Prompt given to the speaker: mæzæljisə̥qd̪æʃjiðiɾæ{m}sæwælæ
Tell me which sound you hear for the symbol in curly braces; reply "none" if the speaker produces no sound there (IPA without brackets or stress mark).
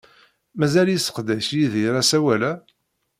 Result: none